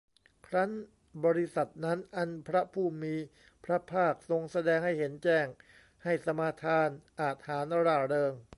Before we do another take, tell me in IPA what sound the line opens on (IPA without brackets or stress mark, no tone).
kʰ